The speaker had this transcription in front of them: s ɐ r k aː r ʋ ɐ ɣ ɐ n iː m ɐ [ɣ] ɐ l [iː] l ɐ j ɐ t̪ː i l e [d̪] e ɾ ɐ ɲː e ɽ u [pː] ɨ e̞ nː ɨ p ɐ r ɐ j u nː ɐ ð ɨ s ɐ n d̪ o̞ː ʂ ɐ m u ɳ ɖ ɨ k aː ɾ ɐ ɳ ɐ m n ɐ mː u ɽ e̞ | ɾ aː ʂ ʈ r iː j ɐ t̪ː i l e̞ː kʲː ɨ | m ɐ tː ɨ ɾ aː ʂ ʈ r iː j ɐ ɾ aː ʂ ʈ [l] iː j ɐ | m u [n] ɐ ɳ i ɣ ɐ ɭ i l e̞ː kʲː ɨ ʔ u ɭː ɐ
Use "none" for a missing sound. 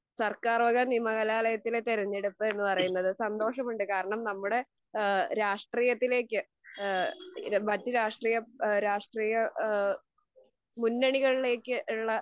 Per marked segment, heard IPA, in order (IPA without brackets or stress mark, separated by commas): ɣ, aː, t̪, pː, r, nː